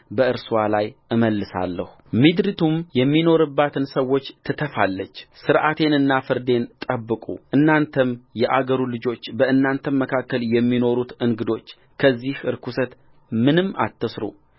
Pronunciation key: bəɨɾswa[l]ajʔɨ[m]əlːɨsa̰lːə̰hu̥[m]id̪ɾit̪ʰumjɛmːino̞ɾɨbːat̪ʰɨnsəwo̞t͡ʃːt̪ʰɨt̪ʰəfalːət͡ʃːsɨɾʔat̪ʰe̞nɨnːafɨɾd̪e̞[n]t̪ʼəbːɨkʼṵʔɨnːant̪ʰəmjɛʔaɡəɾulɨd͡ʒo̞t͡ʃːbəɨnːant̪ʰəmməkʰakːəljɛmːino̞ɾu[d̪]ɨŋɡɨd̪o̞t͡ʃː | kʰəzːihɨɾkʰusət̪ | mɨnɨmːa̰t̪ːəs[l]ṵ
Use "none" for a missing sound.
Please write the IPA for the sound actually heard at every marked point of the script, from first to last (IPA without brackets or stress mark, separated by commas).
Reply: l, m, m, n, t̪, ɾ